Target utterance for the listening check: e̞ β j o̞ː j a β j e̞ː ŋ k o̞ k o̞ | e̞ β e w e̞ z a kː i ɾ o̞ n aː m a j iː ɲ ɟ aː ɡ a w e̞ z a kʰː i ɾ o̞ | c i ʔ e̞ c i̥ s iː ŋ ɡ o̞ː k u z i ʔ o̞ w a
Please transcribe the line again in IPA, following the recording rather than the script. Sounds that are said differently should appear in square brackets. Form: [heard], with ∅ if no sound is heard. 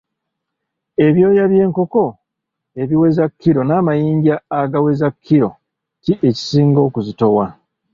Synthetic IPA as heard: e̞ β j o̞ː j a β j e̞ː ŋ k o̞ k o̞ | e̞ β [i] w e̞ z a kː i ɾ o̞ n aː m a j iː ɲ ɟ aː ɡ a w e̞ z a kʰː i ɾ o̞ | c i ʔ e̞ c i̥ s iː ŋ ɡ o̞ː k u z i [t] o̞ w a